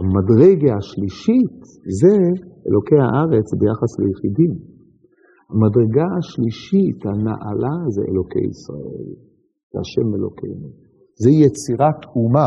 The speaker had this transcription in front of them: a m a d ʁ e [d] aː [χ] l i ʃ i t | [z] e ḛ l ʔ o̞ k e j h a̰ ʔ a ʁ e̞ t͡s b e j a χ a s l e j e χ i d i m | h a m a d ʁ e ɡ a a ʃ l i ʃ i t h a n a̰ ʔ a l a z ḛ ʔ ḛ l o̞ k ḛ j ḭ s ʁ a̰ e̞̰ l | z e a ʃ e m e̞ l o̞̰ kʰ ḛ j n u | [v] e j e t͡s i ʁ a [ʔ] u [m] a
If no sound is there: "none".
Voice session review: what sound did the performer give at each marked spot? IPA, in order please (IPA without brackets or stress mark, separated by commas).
ɡ, ʃ, z, z, t, m